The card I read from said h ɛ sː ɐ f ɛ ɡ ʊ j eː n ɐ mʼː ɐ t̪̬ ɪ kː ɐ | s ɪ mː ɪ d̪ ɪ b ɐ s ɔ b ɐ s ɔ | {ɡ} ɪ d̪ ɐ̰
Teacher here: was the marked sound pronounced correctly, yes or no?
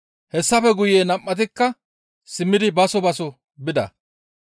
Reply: no